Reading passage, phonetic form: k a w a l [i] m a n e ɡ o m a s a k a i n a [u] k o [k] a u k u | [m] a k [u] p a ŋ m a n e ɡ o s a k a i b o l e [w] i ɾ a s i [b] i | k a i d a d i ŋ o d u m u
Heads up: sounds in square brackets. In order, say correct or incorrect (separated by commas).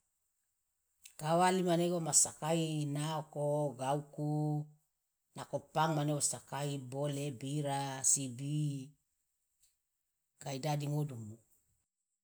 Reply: correct, incorrect, incorrect, incorrect, incorrect, incorrect, correct